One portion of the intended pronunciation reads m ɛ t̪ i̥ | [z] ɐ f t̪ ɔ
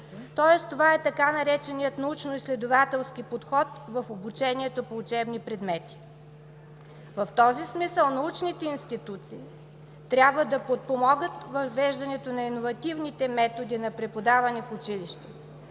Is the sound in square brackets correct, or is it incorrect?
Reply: incorrect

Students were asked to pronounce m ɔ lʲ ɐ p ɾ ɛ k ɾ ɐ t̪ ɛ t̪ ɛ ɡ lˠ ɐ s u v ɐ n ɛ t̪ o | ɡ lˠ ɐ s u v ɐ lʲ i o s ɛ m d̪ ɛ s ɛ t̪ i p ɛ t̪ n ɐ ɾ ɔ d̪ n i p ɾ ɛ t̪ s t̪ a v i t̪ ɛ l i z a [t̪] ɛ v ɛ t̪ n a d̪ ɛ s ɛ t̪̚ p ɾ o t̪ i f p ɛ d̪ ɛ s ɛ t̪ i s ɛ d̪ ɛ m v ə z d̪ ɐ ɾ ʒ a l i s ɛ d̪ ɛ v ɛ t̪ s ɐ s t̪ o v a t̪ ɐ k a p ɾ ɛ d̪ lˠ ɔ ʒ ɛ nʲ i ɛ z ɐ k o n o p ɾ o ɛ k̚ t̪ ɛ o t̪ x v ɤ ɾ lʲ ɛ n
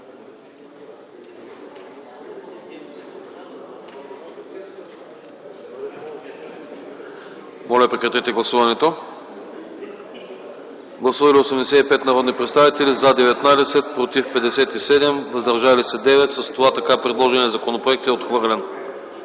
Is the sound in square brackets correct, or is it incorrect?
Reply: incorrect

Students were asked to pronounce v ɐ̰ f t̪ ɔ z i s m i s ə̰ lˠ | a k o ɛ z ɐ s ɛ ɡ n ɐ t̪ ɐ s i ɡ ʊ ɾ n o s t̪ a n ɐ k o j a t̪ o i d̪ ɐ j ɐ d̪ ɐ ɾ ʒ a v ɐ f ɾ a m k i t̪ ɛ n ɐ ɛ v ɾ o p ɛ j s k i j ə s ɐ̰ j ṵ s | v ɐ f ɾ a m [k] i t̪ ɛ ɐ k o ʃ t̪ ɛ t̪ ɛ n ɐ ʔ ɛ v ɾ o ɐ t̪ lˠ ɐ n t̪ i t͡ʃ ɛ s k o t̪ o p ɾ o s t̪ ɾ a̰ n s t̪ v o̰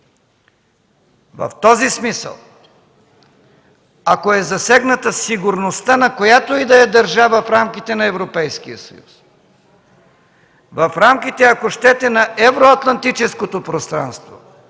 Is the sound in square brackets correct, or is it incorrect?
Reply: correct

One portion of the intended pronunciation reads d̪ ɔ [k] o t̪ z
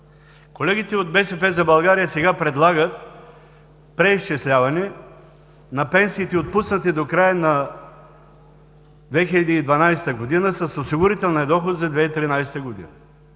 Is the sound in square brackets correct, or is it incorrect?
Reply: incorrect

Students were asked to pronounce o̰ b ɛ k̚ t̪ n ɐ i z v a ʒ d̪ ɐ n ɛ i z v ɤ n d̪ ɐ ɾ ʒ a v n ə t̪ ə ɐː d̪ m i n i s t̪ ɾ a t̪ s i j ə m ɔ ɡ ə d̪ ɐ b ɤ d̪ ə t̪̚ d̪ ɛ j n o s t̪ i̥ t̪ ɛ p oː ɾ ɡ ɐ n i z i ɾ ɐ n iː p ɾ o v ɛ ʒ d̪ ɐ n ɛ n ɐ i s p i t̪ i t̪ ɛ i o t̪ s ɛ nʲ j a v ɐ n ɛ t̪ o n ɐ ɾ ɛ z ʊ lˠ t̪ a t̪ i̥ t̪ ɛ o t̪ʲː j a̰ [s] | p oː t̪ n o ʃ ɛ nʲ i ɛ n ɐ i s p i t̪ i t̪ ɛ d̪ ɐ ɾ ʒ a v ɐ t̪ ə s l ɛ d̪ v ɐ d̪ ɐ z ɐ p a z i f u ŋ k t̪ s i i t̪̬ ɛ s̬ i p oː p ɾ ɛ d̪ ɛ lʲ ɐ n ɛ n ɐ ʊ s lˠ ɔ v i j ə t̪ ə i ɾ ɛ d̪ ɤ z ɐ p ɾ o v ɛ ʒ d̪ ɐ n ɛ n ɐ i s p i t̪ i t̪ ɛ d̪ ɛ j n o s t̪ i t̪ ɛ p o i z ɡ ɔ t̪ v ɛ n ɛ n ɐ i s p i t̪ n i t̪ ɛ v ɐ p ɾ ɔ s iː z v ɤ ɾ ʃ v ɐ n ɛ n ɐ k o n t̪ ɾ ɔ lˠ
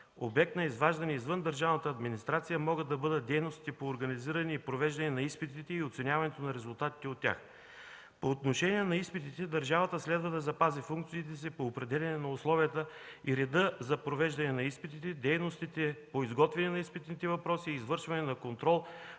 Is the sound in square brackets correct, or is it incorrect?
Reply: incorrect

